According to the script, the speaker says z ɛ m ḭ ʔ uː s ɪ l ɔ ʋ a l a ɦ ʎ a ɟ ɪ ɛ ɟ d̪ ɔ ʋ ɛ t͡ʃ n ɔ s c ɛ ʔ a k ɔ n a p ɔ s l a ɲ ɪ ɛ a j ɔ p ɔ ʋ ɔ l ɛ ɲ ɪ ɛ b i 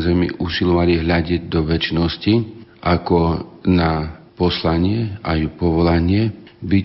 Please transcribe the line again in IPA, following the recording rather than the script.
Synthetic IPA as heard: z ɛ m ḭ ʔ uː s i l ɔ ʋ a l i ɦ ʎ a ɟ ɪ ɛ ɟ d̪ ɔ ʋ ɛ t͡ʃ n ɔ s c i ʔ a k ɔ n a p ɔ s l a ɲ ɪ ɛ a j u p ɔ ʋ ɔ l a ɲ ɪ ɛ b i